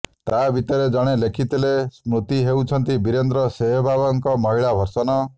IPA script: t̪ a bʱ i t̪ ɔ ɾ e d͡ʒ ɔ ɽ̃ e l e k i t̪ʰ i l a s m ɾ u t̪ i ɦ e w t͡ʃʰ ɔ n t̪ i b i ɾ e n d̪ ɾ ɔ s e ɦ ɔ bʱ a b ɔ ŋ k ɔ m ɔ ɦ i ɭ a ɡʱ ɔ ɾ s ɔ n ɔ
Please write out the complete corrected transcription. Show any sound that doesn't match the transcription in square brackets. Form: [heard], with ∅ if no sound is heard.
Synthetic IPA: t̪ a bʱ i t̪ ɔ ɾ e d͡ʒ ɔ ɽ̃ e l e [kʰ] i [t̪] i l [e] s m ɾ u t̪ i ɦ e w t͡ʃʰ ɔ n t̪ i b i ɾ e n d̪ ɾ ɔ s e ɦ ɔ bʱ a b ɔ ŋ k ɔ m ɔ ɦ i ɭ a [bʱ] ɔ ɾ s ɔ n ɔ